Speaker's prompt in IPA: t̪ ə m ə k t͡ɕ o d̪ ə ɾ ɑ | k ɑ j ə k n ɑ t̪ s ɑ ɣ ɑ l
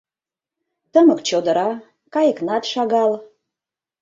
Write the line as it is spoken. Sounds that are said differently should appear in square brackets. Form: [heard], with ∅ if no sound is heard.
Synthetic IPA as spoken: t̪ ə m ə k t͡ɕ o d̪ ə ɾ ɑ | k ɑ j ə k n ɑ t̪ [ʃ] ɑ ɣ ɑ l